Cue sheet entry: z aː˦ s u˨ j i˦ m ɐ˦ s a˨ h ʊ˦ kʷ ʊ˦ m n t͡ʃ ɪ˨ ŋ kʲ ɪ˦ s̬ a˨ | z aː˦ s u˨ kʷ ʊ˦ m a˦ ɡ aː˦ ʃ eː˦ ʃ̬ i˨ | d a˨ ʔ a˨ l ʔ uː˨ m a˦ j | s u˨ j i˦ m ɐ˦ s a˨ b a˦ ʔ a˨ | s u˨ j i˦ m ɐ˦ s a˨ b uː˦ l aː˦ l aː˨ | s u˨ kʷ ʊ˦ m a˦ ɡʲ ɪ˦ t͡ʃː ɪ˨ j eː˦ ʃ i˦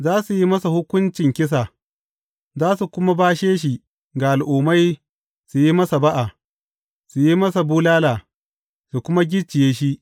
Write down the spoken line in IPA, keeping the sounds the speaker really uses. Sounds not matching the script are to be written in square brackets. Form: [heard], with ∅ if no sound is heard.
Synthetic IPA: z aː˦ s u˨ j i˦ m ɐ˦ s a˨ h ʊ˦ kʷ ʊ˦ [∅] n t͡ʃ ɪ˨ ŋ kʲ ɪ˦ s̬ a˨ | z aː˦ s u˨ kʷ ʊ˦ m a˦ [b] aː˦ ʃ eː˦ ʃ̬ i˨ | [ɡ] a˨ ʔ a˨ l ʔ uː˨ m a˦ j | s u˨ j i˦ m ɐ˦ s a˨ b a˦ ʔ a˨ | s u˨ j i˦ m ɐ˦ s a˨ b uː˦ l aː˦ l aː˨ | s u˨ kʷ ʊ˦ m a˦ ɡʲ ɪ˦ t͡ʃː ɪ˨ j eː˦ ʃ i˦

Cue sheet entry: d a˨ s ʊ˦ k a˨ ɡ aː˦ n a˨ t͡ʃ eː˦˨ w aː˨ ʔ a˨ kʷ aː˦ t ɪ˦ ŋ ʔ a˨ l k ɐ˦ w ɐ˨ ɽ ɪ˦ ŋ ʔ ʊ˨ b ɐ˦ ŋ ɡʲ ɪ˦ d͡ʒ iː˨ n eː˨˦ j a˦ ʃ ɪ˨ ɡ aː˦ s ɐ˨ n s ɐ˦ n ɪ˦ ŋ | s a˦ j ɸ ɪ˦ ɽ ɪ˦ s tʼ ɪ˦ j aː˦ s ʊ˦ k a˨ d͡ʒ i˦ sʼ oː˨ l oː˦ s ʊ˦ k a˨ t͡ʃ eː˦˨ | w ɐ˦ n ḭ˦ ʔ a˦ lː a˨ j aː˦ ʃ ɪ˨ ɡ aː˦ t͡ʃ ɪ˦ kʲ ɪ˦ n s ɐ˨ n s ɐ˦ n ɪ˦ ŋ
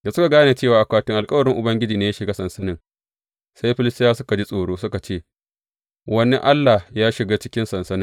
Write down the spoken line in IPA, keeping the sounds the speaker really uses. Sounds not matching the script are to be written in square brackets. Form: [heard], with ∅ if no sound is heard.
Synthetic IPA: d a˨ s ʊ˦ k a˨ ɡ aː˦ n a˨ t͡ʃ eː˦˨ w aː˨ ʔ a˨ kʷ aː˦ t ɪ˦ ŋ ʔ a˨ l [kʼ] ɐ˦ w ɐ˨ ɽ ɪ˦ ŋ ʔ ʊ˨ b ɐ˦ ŋ ɡʲ ɪ˦ d͡ʒ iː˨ n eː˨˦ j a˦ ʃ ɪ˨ ɡ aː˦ s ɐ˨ n s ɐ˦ n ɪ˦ ŋ | s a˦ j ɸ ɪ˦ [l] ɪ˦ s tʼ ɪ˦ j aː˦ s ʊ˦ k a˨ d͡ʒ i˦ sʼ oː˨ [ɽ] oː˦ s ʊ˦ k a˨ t͡ʃ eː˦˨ | w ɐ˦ n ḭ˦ ʔ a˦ lː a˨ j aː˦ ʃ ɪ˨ ɡ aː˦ t͡ʃ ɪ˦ kʲ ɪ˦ n s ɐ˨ n s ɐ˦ n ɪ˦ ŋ

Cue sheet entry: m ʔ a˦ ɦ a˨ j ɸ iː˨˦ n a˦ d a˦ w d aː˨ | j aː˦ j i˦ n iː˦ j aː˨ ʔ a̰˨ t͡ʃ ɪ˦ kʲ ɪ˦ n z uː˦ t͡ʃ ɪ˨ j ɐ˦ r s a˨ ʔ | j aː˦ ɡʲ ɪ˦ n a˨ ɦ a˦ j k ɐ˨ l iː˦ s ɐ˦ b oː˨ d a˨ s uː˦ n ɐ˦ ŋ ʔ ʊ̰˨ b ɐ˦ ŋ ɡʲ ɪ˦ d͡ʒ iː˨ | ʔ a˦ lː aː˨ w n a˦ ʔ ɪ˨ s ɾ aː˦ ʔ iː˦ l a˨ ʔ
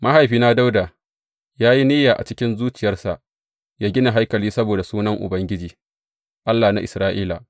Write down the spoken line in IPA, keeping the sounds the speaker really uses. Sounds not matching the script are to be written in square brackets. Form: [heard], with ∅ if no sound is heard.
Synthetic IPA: m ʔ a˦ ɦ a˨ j ɸ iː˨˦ n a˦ d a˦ w d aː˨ | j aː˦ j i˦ n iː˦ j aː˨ ʔ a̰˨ t͡ʃ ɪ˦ kʲ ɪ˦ n z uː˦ t͡ʃ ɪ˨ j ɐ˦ r s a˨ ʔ | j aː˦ ɡʲ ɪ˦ n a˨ ɦ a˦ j k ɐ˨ l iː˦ s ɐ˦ b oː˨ d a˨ s uː˦ n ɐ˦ ŋ ʔ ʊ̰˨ b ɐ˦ ŋ ɡʲ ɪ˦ d͡ʒ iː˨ | ʔ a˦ lː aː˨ [∅] n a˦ ʔ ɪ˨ s ɾ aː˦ ʔ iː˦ l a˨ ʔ

